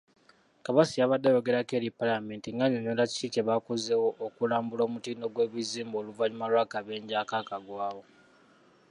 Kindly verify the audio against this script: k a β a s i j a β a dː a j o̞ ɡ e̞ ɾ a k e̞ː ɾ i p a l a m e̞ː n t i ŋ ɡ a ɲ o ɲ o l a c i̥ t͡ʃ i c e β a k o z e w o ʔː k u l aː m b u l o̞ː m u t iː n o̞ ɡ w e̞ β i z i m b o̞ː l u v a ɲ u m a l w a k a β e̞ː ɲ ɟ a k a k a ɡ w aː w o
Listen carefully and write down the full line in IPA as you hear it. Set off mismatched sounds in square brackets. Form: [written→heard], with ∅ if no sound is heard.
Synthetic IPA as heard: k a β a s i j a β a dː a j o̞ ɡ e̞ ɾ a k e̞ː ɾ i p a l a m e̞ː n t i ŋ ɡ a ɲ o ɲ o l a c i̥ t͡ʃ i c e β a k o z e w o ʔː k u l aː m b u l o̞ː m u t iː n o̞ ɡ w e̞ β i z [i→iː] m b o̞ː l u v a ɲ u m a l w a k a β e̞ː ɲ ɟ a k a k a ɡ w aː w o